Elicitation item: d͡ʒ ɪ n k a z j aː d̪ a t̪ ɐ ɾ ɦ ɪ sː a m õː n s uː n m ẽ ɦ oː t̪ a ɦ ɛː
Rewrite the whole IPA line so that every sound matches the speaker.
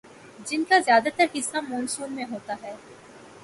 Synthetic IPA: d͡ʒ ɪ n k a z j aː d̪ a t̪ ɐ ɾ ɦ ɪ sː a m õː n s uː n m ẽ ɦ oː t̪ a ɦ ɛː